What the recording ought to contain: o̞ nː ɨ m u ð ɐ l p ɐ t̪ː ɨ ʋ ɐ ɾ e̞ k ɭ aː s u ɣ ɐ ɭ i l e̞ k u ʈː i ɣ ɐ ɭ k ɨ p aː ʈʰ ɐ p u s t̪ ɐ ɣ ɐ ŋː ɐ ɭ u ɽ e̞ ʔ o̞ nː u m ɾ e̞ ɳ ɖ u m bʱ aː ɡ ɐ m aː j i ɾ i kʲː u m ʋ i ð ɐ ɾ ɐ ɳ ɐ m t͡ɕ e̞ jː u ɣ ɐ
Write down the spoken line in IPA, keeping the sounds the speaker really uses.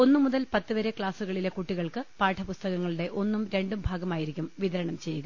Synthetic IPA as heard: o̞ nː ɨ m u ð ɐ l p ɐ t̪ː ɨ ʋ ɐ ɾ e̞ k ɭ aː s u ɣ ɐ ɭ i l e̞ k u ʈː i ɣ ɐ ɭ k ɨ p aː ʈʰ ɐ p u s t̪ ɐ ɣ ɐ ŋː ɐ ɭ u ɽ e̞ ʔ o̞ nː u m ɾ e̞ ɳ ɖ u m bʱ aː ɡ ɐ m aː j i ɾ i kʲː u m ʋ i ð ɐ ɾ ɐ ɳ ɐ m t͡ɕ e̞ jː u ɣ ɐ